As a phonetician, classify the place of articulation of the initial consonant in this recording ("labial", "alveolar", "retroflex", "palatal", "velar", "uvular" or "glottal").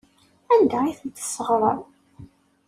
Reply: alveolar